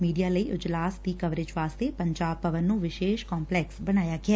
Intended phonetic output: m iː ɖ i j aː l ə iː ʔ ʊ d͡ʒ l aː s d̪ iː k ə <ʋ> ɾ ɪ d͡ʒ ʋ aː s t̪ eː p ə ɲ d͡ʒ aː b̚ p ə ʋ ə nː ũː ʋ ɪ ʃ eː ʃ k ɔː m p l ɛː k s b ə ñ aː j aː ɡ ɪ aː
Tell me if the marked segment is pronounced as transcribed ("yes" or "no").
yes